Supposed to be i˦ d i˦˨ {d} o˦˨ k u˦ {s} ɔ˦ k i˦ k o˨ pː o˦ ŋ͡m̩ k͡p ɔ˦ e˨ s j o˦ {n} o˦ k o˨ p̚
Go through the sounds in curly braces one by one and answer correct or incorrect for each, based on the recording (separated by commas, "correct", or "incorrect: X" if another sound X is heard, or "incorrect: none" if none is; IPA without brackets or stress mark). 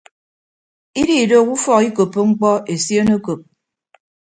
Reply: correct, incorrect: f, correct